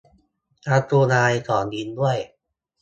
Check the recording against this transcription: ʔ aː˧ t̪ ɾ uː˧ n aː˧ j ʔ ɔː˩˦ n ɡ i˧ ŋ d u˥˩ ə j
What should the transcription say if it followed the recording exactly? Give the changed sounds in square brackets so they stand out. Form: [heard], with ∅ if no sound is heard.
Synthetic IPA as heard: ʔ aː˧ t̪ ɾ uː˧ n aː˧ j [k] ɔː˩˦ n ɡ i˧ [n] d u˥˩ ə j